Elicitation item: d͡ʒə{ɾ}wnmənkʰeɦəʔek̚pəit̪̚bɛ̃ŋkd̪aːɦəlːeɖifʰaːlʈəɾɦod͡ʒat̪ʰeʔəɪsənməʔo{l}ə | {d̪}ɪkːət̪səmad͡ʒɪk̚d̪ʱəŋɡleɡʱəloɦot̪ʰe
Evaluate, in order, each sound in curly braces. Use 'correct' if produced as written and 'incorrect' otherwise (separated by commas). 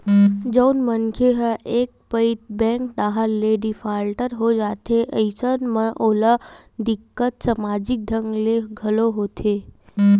incorrect, correct, correct